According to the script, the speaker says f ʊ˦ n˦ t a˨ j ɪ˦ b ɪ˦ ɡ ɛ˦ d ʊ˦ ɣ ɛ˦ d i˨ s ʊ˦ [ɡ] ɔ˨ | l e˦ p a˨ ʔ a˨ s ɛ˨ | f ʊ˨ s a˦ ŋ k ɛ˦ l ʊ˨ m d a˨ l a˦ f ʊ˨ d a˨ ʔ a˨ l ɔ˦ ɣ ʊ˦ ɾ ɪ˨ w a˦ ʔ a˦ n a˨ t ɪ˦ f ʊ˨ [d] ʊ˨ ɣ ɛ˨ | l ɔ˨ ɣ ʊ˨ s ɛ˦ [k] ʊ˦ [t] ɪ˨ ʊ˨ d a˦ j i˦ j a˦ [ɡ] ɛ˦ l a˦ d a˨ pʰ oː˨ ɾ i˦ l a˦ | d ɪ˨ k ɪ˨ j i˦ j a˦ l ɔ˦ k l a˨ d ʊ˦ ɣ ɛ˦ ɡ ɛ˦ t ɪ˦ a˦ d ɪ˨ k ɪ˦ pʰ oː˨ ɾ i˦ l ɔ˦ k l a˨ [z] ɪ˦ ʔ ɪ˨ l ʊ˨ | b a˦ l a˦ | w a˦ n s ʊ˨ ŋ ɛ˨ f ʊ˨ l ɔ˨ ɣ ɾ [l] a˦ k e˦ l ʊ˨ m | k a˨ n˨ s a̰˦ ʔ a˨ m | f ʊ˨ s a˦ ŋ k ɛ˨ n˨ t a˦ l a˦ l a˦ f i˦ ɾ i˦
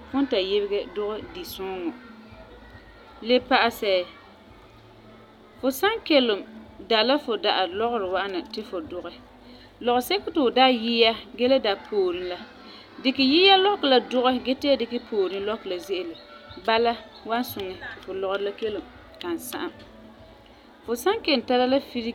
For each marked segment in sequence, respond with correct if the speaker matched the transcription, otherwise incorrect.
incorrect, correct, correct, correct, correct, correct, correct

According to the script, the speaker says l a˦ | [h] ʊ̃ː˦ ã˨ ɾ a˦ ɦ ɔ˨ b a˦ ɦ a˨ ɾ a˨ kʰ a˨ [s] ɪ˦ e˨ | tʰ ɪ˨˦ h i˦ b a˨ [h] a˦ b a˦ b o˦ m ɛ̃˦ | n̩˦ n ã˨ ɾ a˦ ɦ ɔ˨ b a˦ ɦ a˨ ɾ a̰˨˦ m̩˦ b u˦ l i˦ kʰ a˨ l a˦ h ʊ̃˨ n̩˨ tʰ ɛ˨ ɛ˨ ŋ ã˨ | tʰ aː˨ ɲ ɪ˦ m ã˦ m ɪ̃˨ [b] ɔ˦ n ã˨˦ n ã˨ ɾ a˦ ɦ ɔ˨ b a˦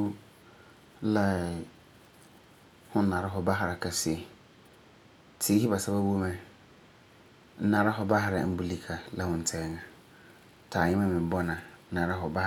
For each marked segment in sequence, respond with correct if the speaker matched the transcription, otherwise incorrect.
correct, correct, incorrect, correct

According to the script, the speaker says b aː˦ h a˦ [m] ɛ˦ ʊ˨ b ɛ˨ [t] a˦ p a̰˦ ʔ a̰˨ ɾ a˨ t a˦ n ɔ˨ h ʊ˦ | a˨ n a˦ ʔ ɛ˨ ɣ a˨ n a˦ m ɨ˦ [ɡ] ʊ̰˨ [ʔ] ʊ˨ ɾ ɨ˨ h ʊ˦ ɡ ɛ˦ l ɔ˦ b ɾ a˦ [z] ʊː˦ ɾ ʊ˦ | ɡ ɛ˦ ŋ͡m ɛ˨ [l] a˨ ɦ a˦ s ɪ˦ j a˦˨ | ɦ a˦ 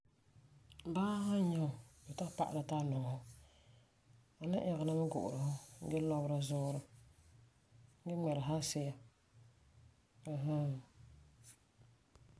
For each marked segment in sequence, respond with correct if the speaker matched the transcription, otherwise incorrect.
incorrect, correct, correct, correct, correct, incorrect

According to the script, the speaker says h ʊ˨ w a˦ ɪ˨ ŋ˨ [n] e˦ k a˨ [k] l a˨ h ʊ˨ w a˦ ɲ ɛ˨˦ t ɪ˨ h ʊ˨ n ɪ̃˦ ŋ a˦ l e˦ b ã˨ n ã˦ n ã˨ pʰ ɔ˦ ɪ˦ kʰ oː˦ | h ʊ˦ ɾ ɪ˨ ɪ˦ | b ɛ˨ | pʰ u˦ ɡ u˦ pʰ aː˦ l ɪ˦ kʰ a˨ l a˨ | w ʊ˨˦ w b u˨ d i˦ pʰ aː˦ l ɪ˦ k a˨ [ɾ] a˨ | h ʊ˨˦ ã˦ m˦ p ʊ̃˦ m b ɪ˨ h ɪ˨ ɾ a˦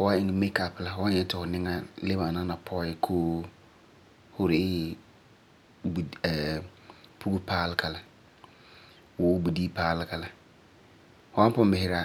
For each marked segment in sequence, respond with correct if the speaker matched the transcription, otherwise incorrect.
incorrect, incorrect, incorrect

